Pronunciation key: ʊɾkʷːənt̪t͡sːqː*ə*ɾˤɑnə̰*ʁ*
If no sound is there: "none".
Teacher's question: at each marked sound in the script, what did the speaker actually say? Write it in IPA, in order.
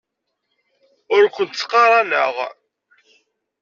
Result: ɑ, ʁ

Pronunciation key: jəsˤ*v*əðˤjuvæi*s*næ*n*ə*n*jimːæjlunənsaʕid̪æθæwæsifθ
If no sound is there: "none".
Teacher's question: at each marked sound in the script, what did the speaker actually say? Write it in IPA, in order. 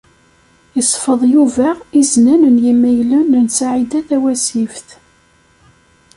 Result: f, z, n, n

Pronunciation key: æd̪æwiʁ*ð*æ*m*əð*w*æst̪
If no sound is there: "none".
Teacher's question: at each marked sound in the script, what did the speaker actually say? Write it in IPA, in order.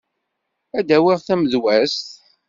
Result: θ, m, w

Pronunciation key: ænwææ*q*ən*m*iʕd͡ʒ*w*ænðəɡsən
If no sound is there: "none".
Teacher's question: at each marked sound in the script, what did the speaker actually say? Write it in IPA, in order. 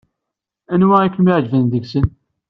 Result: k, m, v

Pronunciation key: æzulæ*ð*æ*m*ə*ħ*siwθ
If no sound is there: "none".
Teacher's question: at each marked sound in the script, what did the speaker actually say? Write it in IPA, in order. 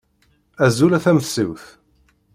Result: θ, m, θ

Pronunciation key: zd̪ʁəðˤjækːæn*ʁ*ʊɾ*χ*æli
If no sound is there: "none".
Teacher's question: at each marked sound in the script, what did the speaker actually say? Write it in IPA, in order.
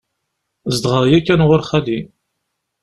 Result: ʁ, χ

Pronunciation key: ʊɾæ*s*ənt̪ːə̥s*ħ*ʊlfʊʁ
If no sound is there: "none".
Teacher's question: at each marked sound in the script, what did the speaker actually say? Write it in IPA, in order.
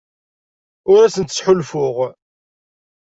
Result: s, ħ

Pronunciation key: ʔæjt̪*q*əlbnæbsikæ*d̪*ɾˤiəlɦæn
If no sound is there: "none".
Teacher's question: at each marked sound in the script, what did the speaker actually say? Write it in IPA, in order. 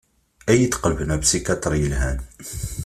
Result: q, t̪

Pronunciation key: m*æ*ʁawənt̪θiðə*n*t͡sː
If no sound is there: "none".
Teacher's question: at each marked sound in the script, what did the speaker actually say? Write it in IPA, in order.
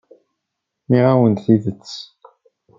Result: i, none

